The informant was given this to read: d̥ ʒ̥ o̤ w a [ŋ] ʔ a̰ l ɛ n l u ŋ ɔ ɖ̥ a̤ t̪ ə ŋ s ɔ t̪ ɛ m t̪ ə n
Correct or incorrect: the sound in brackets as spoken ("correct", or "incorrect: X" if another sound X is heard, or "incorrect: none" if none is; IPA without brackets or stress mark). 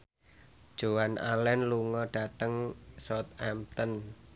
incorrect: n